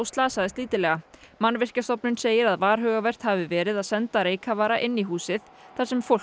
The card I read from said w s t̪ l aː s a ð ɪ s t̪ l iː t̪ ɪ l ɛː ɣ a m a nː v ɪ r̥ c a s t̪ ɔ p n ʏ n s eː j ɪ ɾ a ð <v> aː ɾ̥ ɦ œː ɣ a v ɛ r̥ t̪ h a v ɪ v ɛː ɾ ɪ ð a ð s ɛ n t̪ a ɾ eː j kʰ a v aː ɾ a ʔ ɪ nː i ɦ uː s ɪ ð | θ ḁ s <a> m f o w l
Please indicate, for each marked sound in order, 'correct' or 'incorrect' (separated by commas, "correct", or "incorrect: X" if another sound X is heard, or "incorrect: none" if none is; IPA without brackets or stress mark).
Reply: correct, incorrect: ɛ